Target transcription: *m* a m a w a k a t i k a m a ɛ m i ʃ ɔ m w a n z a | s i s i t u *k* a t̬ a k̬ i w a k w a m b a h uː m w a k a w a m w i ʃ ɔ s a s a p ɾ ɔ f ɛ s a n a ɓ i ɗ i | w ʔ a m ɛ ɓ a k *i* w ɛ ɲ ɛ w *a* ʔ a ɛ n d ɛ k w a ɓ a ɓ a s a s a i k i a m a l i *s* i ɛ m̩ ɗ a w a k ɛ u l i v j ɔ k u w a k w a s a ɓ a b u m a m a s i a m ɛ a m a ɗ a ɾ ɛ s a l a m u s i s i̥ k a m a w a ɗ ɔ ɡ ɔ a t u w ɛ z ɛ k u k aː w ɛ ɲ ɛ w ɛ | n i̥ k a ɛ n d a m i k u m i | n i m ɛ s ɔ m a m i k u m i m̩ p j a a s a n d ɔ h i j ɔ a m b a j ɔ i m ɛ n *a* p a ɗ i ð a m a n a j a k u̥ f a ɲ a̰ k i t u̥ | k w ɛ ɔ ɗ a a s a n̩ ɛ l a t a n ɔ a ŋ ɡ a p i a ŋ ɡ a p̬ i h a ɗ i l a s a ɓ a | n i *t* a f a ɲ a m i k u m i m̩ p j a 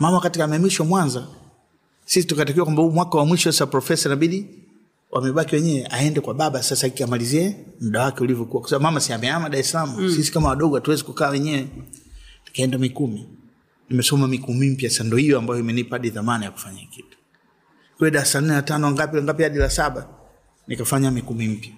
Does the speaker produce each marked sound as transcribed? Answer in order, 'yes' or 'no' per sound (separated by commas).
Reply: yes, yes, yes, no, no, no, no